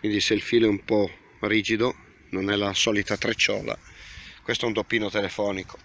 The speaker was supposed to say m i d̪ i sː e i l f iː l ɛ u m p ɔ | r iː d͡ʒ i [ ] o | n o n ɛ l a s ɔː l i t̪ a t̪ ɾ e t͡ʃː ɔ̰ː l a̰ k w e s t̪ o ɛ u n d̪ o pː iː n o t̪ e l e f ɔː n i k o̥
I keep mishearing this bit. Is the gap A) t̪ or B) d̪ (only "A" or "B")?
B